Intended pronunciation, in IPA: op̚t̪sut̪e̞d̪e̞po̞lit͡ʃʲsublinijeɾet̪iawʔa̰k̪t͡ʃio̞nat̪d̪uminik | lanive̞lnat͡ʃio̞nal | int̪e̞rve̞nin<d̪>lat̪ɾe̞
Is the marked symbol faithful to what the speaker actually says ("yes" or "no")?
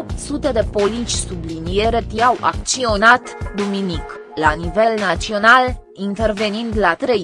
yes